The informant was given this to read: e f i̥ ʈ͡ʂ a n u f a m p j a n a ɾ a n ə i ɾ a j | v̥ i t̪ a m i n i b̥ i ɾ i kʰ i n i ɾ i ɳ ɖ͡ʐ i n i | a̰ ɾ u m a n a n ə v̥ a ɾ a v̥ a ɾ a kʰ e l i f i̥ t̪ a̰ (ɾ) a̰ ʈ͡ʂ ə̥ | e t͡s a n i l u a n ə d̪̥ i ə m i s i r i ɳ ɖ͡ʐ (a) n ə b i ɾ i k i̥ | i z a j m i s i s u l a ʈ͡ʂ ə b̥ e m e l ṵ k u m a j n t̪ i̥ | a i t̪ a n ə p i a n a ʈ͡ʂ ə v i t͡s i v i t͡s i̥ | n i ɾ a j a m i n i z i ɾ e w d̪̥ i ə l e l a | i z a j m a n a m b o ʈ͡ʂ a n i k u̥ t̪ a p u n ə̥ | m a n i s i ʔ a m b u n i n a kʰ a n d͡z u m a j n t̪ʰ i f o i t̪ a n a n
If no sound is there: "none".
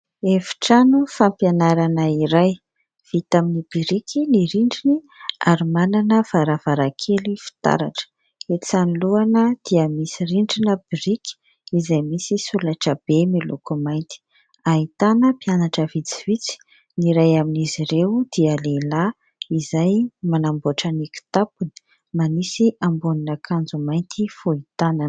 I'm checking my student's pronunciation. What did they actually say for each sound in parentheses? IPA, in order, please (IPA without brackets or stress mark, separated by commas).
ɾ, i